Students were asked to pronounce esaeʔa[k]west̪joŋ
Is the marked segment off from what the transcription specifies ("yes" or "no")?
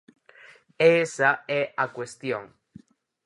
no